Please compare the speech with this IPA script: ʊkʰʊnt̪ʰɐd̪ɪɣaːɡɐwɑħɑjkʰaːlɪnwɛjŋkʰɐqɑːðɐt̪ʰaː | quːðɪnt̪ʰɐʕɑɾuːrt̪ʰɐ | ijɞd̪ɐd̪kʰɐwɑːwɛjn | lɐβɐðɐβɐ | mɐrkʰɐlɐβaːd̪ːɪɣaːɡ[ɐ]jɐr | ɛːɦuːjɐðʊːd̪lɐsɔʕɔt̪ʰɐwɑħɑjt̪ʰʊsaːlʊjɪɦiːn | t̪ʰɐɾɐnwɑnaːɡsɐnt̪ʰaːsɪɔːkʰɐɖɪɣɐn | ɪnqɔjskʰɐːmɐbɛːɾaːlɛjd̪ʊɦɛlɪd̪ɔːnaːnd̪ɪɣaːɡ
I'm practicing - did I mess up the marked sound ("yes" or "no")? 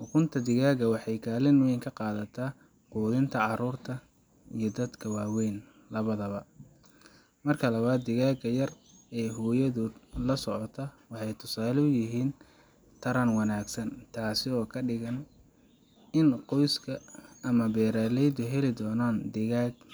no